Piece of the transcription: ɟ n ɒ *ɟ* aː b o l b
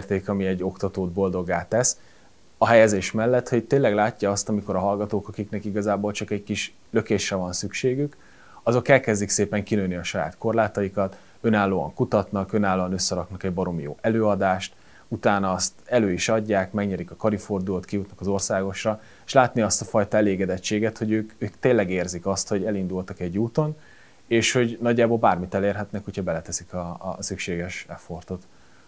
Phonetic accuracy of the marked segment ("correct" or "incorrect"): incorrect